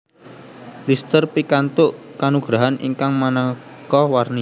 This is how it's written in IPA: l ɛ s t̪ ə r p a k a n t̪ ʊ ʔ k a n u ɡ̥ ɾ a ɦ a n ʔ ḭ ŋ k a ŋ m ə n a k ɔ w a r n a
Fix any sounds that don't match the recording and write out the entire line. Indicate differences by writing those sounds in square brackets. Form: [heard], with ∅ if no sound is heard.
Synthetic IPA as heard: l [i] s t̪ ə r p [i] k a n t̪ ʊ ʔ k a n u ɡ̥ ɾ a ɦ a n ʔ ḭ ŋ k a ŋ m [a] n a k ɔ w a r n [i]